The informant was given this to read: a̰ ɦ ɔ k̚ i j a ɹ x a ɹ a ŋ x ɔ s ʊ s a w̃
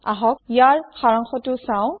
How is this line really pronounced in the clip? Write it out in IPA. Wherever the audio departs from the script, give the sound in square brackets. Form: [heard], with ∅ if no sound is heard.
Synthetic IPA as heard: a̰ ɦ ɔ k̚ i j a ɹ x a ɹ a ŋ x ɔ [t] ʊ s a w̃